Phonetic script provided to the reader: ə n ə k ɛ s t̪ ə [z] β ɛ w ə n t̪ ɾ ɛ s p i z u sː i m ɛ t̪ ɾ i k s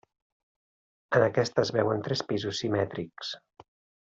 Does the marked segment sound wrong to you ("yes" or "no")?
no